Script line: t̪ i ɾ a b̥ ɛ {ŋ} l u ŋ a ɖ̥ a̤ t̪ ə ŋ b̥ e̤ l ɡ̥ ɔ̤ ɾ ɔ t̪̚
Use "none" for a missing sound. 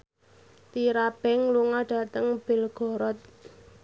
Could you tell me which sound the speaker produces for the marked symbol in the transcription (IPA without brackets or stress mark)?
ŋ